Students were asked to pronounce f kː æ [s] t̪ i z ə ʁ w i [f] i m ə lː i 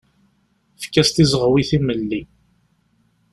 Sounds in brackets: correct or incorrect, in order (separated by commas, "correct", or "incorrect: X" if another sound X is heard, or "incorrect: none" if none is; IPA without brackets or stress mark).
correct, incorrect: θ